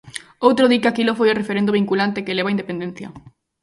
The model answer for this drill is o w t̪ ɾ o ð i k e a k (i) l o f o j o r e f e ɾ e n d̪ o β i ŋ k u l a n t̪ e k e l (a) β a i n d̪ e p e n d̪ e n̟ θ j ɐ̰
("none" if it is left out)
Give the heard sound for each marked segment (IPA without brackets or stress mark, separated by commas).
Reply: i, e